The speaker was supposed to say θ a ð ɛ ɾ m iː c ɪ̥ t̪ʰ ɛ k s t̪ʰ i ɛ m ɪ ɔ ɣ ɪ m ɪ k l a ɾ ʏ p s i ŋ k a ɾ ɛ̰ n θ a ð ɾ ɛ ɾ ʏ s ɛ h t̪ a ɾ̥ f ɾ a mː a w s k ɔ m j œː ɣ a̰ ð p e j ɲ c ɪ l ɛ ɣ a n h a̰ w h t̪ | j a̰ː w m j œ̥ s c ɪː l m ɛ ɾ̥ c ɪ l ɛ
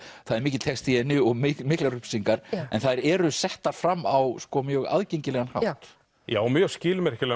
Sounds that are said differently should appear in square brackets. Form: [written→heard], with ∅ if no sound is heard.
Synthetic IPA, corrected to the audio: θ a ð ɛ ɾ m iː c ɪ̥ t̪ʰ ɛ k s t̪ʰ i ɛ [m→n] ɪ ɔ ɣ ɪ m ɪ k l a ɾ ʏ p s i ŋ k a ɾ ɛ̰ n θ a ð ɾ ɛ ɾ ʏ s ɛ h t̪ a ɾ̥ f ɾ a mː a w s k ɔ m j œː ɣ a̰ ð [p→c] e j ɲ c ɪ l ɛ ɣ a n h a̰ w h t̪ | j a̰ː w m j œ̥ s c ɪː l m ɛ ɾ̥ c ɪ l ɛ

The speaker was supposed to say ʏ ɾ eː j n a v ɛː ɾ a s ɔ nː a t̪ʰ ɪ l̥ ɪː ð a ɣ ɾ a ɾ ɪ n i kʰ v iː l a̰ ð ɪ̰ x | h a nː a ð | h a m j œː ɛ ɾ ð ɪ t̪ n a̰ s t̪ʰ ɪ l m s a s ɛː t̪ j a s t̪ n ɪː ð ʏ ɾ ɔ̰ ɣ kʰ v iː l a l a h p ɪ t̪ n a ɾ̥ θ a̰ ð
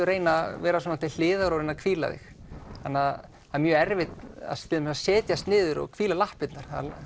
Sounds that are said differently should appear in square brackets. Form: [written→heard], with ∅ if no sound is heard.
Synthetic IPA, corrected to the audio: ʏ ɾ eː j n a v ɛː ɾ a s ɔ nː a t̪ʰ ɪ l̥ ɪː ð a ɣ ɾ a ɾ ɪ n [i→a] kʰ v iː l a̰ ð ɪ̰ x | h a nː a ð | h a m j œː ɛ ɾ [ð→v] ɪ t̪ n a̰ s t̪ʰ ɪ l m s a s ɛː t̪ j a s t̪ n ɪː ð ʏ ɾ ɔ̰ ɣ kʰ v iː l a l a h p ɪ t̪ n a ɾ̥ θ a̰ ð

